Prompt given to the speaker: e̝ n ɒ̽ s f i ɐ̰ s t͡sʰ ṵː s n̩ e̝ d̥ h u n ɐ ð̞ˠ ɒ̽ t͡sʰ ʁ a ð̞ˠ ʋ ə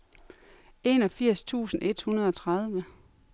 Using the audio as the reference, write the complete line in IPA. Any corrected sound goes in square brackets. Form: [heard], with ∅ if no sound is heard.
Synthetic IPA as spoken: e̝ n ɒ̽ [∅] f i ɐ̰ s t͡sʰ ṵː s n̩ e̝ d̥ h u n ɐ ð̞ˠ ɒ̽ t͡sʰ ʁ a ð̞ˠ ʋ ə